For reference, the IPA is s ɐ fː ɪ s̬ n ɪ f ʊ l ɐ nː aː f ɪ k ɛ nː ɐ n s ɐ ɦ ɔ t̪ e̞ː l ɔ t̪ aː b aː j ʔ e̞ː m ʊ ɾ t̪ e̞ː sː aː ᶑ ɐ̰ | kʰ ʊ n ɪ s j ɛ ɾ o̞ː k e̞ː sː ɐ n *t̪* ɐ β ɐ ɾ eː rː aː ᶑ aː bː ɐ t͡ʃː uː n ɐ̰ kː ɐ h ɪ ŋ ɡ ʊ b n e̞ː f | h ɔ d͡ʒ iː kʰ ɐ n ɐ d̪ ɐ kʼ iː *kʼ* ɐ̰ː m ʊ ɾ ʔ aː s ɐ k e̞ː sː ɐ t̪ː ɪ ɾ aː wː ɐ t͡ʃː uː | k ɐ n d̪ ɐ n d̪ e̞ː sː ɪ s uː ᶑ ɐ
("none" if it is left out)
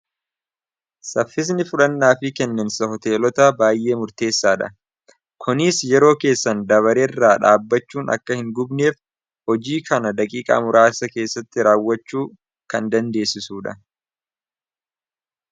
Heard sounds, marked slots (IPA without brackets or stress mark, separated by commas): d̪, kʼ